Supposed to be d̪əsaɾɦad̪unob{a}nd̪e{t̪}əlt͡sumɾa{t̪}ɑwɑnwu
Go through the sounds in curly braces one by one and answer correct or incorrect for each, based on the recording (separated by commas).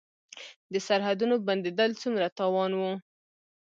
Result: correct, incorrect, correct